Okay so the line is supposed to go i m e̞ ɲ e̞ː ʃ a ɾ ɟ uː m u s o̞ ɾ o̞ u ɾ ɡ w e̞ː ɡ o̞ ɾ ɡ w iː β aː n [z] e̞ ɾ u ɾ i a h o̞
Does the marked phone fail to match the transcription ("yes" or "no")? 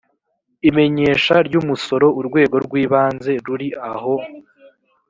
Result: no